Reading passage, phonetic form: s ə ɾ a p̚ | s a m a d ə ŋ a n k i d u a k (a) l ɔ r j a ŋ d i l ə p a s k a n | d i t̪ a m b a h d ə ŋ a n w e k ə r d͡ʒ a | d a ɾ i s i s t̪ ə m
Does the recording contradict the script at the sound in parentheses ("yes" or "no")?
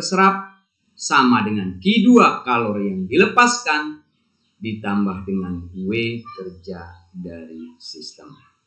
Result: no